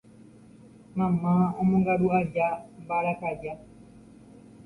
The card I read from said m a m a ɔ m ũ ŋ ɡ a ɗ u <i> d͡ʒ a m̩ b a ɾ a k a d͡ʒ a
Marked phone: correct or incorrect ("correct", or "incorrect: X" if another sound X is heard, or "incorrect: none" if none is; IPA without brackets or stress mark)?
incorrect: a